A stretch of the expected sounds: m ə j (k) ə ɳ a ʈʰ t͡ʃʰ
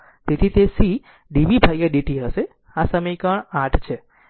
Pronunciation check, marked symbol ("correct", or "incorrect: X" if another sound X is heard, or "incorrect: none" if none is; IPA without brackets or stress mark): correct